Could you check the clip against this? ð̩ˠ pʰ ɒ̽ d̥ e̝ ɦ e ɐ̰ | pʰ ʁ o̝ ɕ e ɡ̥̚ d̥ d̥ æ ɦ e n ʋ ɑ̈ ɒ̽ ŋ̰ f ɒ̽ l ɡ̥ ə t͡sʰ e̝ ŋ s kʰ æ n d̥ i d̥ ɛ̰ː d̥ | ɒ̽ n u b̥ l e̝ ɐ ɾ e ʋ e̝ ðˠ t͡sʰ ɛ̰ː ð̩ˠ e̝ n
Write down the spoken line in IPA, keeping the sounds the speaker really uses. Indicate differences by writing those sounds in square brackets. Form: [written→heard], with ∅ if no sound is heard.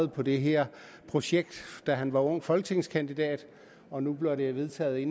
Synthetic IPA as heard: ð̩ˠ pʰ ɒ̽ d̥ e̝ ɦ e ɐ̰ | pʰ ʁ o̝ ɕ e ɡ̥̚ d̥ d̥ æ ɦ [e→æ] n ʋ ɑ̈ [ɒ̽→ɔ̽] ŋ̰ f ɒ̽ l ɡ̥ ə t͡sʰ e̝ ŋ s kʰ æ n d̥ i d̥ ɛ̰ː d̥ | ɒ̽ n u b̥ l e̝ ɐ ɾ e ʋ e̝ ðˠ t͡sʰ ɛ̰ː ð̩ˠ e̝ n